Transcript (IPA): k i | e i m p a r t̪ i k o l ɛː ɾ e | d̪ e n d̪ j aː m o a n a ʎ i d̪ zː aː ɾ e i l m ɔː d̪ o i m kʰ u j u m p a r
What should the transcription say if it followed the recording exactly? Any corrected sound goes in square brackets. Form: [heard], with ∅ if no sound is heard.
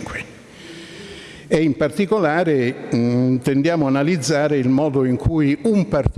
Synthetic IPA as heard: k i | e i m p a r t̪ i k o l [aː] ɾ e | [t̪] e n d̪ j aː m o a n a [l] i d̪ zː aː ɾ e i l m ɔː d̪ o i [ŋ] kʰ u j u m p a r